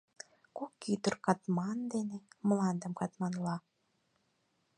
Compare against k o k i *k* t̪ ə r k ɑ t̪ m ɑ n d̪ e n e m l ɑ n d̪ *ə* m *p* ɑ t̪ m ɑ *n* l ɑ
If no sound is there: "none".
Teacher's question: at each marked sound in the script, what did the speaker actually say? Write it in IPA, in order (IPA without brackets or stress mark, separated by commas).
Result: none, ə, k, n